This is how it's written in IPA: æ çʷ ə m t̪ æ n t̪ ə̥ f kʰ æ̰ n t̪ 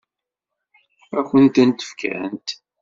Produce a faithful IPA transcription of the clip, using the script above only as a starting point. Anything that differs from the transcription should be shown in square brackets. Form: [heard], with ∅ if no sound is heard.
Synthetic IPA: æ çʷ ə [n] t̪ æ n t̪ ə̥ f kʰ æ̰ n t̪